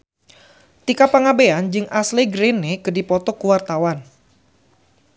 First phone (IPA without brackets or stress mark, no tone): t̪